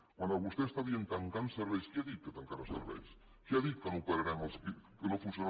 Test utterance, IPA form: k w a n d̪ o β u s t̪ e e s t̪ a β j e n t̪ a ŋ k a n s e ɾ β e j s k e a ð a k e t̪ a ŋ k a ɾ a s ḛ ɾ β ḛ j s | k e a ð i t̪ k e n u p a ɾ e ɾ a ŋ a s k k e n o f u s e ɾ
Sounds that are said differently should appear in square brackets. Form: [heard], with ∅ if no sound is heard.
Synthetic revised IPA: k w a n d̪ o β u s t̪ e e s t̪ a β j e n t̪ a ŋ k a n s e ɾ β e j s k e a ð [i] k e t̪ a ŋ k a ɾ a s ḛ ɾ β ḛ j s | k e a ð i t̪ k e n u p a ɾ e ɾ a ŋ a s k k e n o f u s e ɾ